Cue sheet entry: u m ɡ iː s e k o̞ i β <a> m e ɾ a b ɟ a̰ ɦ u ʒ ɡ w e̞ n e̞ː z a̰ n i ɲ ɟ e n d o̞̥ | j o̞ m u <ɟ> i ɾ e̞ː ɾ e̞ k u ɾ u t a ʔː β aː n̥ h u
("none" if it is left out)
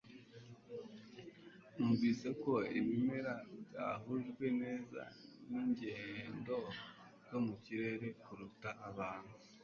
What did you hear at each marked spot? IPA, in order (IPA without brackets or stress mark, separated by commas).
i, c